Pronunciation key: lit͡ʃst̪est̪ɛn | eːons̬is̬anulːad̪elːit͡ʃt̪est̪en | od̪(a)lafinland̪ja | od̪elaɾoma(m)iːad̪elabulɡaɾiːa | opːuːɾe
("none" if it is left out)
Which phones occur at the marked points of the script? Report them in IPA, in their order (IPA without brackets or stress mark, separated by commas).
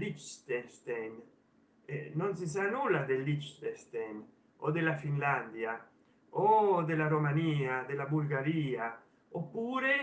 e, n